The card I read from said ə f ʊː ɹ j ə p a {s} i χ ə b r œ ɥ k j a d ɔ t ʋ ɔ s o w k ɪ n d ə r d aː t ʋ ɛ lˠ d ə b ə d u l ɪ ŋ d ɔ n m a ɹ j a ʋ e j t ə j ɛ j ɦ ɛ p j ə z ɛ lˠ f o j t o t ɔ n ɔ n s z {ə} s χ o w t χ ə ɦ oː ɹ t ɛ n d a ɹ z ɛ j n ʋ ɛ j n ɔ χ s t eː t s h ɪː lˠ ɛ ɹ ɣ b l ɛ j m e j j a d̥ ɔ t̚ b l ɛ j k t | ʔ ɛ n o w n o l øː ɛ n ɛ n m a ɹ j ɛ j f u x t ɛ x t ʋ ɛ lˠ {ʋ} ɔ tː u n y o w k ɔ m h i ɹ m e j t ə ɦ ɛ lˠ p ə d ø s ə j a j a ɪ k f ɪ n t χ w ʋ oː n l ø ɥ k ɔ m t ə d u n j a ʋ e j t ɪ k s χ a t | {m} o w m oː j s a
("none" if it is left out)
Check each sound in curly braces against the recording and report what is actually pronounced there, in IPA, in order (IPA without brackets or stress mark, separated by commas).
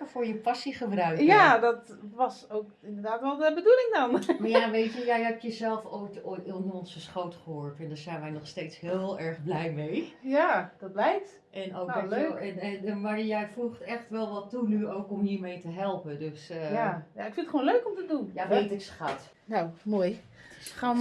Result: s, ə, ʋ, n